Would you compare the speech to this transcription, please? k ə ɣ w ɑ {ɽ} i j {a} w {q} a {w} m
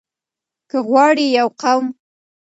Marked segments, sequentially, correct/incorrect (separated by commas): correct, correct, correct, correct